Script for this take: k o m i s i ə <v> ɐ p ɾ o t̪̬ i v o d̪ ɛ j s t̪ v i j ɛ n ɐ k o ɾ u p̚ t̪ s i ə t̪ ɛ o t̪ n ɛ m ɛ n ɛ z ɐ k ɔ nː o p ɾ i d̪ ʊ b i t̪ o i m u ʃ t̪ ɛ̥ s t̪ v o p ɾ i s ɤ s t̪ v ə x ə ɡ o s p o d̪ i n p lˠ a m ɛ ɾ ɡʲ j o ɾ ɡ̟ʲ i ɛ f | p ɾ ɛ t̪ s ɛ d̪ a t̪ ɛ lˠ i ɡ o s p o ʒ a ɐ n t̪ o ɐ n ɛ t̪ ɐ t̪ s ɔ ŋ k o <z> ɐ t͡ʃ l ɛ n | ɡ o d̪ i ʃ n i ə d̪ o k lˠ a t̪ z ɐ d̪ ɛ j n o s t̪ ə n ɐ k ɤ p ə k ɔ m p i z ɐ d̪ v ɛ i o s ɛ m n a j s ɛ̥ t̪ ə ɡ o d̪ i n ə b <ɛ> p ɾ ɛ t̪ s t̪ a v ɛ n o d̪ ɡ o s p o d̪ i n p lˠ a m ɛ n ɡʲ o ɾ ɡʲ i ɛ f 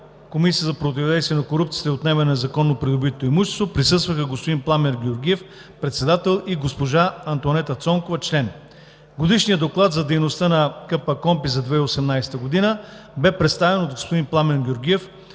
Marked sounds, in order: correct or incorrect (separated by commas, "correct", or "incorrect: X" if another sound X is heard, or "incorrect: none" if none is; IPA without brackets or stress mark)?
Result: incorrect: z, incorrect: v, correct